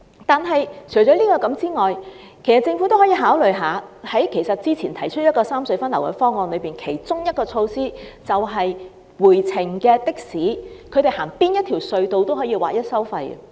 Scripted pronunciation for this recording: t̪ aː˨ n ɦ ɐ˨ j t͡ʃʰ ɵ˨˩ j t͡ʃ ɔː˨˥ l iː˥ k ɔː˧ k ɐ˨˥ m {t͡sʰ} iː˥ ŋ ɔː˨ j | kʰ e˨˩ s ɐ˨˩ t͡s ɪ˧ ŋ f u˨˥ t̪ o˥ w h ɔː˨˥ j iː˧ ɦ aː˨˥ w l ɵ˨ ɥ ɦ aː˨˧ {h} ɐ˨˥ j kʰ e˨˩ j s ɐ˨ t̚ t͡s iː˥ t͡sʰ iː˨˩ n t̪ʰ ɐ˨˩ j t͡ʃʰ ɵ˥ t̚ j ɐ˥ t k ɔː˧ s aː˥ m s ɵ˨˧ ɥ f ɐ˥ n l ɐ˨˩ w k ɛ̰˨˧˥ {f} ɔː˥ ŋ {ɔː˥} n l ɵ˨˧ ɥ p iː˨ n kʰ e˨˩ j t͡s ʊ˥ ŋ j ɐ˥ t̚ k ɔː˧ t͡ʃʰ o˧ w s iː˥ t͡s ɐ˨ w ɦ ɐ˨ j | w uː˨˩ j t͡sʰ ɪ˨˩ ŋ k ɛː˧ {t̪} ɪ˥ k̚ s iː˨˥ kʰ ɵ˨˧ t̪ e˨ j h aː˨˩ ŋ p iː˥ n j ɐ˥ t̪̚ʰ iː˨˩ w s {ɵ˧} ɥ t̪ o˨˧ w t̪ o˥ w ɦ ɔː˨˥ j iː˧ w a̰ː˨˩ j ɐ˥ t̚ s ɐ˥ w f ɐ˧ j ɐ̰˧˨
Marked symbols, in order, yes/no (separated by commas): no, yes, yes, no, yes, yes